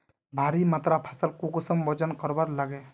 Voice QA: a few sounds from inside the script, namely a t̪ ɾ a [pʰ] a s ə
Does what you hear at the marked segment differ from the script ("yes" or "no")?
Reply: no